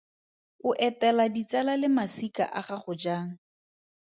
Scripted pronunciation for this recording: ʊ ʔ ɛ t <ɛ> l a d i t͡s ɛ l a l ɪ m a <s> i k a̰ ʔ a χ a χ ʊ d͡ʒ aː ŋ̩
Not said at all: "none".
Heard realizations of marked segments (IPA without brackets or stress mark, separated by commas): ɛ, s